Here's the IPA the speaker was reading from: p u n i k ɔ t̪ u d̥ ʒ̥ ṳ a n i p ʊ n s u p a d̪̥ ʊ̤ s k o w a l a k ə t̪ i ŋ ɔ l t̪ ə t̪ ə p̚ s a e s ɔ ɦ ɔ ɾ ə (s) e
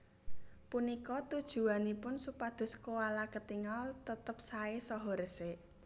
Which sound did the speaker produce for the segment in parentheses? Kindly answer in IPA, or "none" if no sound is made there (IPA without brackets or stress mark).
s